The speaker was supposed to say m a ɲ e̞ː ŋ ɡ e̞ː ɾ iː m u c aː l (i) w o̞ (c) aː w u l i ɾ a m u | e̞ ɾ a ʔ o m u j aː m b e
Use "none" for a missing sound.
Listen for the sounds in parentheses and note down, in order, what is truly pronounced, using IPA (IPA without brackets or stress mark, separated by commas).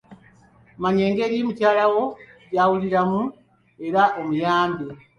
a, ɟ